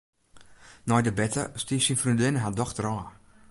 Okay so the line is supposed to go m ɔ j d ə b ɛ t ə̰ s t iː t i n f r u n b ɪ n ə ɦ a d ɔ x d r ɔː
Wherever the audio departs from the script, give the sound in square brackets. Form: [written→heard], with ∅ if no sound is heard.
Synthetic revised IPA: [m→n] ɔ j d ə b ɛ t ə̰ s t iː [t→s] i n f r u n [b→d] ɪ n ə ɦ a d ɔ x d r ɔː